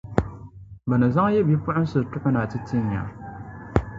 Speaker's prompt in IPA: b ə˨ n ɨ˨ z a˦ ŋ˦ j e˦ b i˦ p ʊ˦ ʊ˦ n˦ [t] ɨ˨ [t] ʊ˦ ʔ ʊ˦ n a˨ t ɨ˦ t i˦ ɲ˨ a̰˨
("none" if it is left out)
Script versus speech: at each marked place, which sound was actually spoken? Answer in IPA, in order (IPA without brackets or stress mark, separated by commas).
s, t